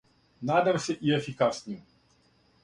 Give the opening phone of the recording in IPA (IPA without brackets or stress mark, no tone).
n